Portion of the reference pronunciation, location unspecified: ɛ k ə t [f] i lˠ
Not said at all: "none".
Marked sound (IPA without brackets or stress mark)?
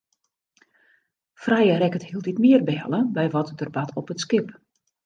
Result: h